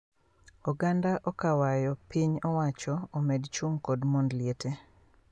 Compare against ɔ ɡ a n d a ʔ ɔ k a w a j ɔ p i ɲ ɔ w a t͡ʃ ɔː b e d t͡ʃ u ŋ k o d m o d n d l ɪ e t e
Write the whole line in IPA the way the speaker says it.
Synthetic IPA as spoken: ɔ ɡ a n d a ʔ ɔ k a w a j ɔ p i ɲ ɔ w a t͡ʃ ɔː m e d t͡ʃ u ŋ k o d m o n d l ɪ e t e